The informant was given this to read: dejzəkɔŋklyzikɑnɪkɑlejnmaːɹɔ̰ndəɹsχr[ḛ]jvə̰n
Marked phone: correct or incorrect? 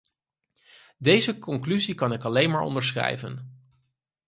incorrect